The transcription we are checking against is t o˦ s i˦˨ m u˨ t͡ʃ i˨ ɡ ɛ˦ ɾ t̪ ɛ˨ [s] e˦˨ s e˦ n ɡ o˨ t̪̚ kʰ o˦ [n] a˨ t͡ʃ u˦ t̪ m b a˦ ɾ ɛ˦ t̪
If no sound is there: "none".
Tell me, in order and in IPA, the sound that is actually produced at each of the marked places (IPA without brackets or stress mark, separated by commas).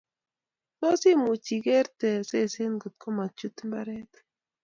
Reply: s, m